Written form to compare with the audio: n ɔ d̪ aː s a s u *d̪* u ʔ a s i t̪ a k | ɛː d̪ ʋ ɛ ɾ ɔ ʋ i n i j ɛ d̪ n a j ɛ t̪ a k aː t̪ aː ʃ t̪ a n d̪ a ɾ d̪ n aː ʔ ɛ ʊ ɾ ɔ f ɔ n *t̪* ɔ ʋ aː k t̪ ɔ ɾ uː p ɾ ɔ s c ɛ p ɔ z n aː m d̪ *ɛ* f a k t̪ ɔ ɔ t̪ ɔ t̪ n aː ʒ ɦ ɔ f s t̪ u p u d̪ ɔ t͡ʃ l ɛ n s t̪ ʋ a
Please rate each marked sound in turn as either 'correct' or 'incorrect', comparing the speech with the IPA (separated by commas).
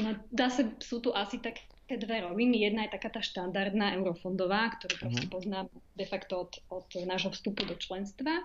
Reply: incorrect, incorrect, correct